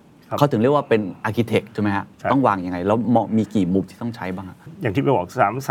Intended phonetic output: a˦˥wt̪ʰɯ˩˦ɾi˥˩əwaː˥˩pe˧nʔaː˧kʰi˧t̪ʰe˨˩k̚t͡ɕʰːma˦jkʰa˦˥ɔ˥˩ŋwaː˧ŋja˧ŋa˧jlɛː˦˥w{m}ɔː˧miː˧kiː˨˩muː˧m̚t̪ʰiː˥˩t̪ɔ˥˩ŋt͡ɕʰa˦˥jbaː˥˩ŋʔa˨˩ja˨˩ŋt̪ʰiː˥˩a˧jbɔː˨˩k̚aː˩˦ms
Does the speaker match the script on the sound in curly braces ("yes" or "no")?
yes